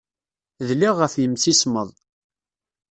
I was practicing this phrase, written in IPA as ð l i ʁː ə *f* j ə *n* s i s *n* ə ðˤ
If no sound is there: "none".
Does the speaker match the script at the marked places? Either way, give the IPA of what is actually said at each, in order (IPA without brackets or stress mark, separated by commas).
f, m, m